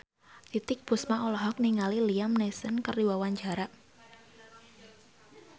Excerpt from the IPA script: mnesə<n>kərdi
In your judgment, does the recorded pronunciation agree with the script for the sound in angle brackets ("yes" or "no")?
yes